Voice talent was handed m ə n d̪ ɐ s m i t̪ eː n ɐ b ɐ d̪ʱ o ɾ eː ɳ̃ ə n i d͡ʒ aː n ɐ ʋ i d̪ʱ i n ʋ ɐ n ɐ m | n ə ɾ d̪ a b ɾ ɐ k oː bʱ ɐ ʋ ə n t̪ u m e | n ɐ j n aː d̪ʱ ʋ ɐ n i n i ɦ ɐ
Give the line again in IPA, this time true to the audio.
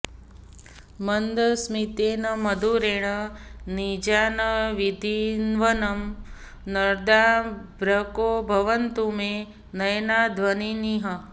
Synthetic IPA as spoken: m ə n d̪ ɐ s m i t̪ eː n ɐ m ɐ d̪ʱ u ɾ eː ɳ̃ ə n i d͡ʒ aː n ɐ ʋ i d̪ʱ i n ʋ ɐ n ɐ m | n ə ɾ d̪ a b ɾ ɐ k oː bʱ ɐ ʋ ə n t̪ u m e | n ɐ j n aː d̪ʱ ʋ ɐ n i n i ɦ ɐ

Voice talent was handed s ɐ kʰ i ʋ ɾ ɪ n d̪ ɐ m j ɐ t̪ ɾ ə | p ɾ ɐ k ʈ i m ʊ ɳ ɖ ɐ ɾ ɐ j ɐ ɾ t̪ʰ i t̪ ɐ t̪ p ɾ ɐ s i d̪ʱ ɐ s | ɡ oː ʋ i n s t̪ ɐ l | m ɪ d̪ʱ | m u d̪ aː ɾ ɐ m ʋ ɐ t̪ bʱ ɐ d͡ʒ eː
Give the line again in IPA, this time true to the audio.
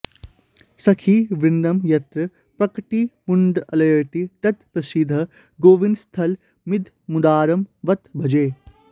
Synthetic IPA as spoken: s ɐ kʰ i ʋ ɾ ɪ n d̪ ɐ m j ɐ t̪ ɾ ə | p ɾ ɐ k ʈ i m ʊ ɳ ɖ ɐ l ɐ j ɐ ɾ t̪ i t̪ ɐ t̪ p ɾ ɐ s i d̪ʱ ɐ | ɡ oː ʋ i n s t̪ʰ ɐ l | m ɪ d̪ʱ | m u d̪ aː ɾ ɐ m ʋ ɐ t̪ bʱ ɐ d͡ʒ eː

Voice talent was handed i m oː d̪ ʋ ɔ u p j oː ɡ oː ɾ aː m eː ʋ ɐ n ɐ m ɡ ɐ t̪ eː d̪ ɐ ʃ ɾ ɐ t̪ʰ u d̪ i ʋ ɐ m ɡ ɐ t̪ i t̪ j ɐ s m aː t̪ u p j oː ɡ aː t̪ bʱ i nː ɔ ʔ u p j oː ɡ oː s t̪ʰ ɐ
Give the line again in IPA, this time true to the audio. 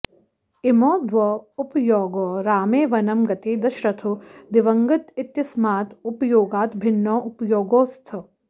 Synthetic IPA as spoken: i m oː d̪ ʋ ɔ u p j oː ɡ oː ɾ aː m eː ʋ ɐ n ɐ m ɡ ɐ t̪ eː d̪ ɐ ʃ ɾ ɐ t̪ʰ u d̪ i ʋ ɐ ŋ ɡ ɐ t̪ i t̪ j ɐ s m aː t̪ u p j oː ɡ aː t̪ bʱ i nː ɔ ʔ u p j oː ɡ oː s t̪ʰ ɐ

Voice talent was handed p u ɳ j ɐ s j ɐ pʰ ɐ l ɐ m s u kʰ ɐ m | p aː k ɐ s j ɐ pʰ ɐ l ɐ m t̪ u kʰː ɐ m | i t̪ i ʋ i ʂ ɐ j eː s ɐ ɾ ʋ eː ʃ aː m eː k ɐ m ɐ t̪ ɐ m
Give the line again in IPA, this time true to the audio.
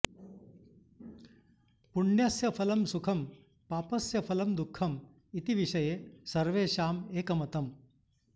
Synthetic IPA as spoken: p u ɳ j ɐ s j ɐ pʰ ɐ l ɐ m s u kʰ ɐ m | p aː p ɐ s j ɐ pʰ ɐ l ɐ m d̪ u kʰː ɐ m | i t̪ i ʋ i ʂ ɐ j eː s ɐ ɾ ʋ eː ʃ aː m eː k ɐ m ɐ t̪ ɐ m

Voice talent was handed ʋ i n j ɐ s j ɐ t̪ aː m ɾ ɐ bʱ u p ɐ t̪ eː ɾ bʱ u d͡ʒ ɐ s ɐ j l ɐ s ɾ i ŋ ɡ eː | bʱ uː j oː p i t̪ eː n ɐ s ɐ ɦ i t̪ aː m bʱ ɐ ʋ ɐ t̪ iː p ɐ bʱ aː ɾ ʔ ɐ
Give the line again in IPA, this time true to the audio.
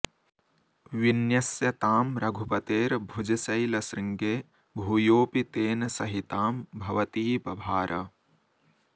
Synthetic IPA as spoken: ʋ i n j ɐ s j ɐ t̪ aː m ɾ ɐ ɡʱ u p ɐ t̪ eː ɾ bʱ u d͡ʒ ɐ s ɐ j l ɐ s ɾ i ŋ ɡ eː | bʱ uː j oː p i t̪ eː n ɐ s ɐ ɦ i t̪ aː m bʱ ɐ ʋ ɐ t̪ iː p ɐ bʱ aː ɾ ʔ ɐ

